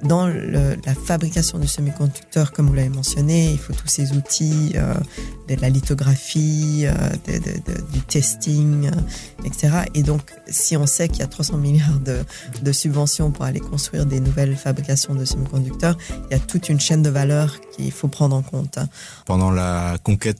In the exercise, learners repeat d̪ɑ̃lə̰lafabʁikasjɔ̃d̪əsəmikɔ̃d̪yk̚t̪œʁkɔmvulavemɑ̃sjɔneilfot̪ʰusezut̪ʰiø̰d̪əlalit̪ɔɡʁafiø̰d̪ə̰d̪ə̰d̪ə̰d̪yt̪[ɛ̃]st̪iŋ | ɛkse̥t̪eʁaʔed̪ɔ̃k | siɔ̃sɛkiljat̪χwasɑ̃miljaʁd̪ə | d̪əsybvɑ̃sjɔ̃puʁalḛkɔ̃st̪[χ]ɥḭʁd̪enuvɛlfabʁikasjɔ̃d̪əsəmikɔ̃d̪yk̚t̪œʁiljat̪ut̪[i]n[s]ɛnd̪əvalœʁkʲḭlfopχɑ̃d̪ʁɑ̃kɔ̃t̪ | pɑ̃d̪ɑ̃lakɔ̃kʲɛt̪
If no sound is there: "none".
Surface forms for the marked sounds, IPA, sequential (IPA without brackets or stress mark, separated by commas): ɛ, χ, y, ʃ